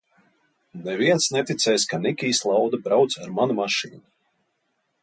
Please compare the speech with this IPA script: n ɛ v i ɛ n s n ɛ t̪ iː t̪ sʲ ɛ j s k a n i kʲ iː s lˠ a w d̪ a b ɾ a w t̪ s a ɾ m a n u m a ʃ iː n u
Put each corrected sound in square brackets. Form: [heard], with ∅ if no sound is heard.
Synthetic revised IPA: n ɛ v i ɛ n s n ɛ t̪ [i] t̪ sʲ ɛ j s k a n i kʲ iː s lˠ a w d̪ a b ɾ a w t̪ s a ɾ m a n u m a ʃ iː n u